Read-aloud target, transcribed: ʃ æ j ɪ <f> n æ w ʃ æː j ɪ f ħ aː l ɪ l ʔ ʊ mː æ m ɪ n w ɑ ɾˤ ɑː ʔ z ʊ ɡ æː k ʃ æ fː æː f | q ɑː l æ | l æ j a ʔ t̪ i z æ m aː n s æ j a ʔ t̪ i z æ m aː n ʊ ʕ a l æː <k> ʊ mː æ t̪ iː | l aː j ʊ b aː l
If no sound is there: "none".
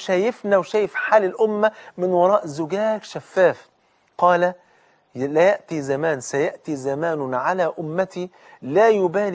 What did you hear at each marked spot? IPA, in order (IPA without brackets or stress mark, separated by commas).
f, ʔ